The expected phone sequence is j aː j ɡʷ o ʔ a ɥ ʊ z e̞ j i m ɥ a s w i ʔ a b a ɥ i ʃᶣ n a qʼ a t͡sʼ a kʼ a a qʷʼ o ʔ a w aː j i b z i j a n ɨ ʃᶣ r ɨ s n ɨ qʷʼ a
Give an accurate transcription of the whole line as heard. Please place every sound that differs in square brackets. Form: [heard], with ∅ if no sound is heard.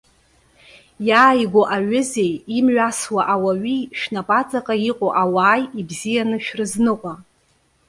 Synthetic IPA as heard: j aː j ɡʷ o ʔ a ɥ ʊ z e̞ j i m ɥ a s w [a] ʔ a [w] a ɥ i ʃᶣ n a [pʼ] a t͡sʼ a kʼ a [i] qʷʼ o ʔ a w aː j i b z i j a n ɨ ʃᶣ r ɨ [z] n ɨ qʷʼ a

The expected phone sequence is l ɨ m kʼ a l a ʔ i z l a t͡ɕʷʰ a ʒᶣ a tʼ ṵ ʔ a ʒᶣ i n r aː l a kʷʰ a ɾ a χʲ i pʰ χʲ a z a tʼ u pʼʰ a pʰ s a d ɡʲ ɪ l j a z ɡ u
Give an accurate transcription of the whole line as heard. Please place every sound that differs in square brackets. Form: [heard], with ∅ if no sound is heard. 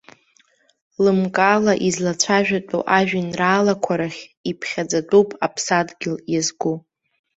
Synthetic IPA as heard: l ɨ m kʼ a l a ʔ i z l a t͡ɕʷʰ a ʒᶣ a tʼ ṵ ʔ a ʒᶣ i n r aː l a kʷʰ a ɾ a χʲ i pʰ χʲ a [d͡z] a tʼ u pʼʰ a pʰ s a d ɡʲ ɪ l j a z ɡ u

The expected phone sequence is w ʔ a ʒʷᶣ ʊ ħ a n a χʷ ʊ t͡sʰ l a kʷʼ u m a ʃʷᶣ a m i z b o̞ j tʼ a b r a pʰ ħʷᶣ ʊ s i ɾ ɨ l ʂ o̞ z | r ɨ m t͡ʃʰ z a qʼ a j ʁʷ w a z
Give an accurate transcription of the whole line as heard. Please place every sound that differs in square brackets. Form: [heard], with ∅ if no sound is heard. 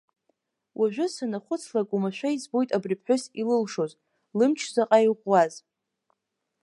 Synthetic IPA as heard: w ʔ a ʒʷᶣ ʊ [s] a n a χʷ ʊ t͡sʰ l a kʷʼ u m a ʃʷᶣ a [∅] i z b o̞ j tʼ a b r [i] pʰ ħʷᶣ ʊ s i [l] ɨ l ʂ o̞ z | [l] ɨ m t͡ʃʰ z a qʼ a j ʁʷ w a z

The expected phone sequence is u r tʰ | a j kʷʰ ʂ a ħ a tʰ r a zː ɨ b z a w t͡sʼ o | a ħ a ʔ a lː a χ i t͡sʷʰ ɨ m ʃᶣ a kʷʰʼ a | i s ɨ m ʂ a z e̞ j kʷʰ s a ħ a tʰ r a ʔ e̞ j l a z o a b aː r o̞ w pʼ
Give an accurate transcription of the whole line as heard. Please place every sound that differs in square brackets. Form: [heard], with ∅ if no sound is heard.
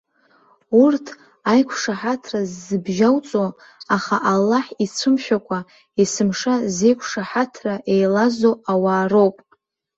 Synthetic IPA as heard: u r tʰ | a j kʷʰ ʂ a ħ a tʰ r a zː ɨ b [ʒ] a w t͡sʼ o | a [χ] a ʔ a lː a [ħ] i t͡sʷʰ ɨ m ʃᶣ a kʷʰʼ a | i s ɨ m ʂ a z e̞ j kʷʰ [ʂ] a ħ a tʰ r a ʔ e̞ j l a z o a [w] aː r o̞ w pʼ

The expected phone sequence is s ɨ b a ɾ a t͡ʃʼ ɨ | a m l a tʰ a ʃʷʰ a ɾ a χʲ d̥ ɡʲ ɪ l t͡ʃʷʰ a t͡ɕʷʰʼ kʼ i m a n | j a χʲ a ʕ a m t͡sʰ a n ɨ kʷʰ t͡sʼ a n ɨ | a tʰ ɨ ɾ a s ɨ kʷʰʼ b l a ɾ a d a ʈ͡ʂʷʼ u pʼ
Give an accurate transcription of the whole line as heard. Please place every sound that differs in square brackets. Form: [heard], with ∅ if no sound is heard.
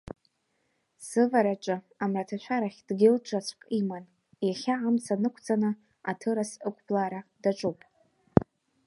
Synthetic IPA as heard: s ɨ [v] a ɾ a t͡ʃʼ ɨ | a m [r] a tʰ a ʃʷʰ a ɾ a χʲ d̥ ɡʲ ɪ l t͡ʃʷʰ a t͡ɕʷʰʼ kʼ i m a n | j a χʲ a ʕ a m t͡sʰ a n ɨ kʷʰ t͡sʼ a n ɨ | a tʰ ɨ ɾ a s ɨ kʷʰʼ b l a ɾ a d a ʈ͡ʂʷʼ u pʼ

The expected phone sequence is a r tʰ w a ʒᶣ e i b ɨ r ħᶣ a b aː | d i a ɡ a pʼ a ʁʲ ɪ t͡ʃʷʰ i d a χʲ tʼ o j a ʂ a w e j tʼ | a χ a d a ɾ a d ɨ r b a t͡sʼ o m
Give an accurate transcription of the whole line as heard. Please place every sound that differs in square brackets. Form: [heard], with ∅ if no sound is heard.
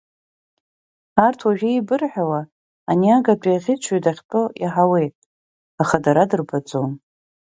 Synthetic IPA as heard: a r tʰ w a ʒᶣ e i b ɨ r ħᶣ a [w] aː | [n] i a ɡ a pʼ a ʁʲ ɪ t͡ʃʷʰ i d a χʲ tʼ o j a [ħ] a w e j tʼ | a χ a d a ɾ a d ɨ r b a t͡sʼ o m

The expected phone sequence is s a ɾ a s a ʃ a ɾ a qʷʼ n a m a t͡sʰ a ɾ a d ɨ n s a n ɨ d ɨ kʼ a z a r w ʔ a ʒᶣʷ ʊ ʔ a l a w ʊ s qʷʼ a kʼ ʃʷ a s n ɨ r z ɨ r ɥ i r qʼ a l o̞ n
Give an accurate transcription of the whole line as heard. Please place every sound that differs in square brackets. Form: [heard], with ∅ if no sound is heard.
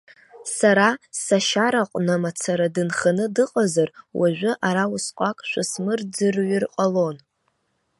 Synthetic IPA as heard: s a ɾ a s a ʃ a ɾ a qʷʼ n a m a t͡sʰ a ɾ a d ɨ n [χ] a n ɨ d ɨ [qʼ] a z a r w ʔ a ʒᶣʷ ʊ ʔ a [ɾ] a w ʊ s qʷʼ a kʼ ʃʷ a s [m] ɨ r [d͡z] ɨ r ɥ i r qʼ a l o̞ n

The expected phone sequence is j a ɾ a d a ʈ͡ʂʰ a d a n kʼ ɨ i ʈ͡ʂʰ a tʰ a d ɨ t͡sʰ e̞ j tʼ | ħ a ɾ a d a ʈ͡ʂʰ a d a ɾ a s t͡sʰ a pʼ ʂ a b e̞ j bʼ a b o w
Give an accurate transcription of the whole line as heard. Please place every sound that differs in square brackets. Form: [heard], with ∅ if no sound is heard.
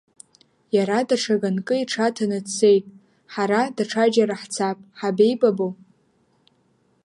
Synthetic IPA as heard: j a ɾ a d a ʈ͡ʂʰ a [ɡ] a n kʼ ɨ i ʈ͡ʂʰ a tʰ a [n] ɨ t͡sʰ e̞ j tʼ | ħ a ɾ a d a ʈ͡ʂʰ a [d͡ʒ] a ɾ a [ħ] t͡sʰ a pʼ [ħ] a b e̞ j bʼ a b o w

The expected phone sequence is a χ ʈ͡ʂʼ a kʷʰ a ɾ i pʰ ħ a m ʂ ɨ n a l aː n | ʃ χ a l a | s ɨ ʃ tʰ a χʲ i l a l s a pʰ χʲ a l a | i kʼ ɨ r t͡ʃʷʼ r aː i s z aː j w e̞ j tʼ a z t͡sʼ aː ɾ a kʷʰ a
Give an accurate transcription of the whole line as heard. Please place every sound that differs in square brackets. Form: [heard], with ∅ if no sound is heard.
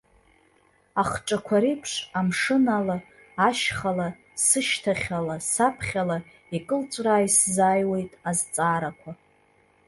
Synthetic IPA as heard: a χ ʈ͡ʂʼ a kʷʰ a ɾ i pʰ [ʂ] a m ʂ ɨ n a l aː [∅] | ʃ χ a l a | s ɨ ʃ tʰ a χʲ [a] l a [∅] s a pʰ χʲ a l a | i kʼ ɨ [l] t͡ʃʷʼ r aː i s z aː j w e̞ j tʼ a z t͡sʼ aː ɾ a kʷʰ a

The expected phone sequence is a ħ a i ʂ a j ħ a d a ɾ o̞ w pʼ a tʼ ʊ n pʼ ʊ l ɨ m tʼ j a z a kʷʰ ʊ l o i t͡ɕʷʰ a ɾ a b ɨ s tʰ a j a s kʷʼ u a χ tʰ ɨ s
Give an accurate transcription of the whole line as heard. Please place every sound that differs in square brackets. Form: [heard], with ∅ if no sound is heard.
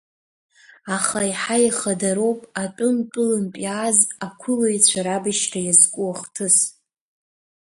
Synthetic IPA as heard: a [χ] a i [ħ] a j [χ] a d a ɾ o̞ w pʼ a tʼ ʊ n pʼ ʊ l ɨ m [pʼ] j a z a kʷʰ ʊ l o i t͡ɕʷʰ a ɾ a b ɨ [ʃ] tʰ a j a [z] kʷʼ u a χ tʰ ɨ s

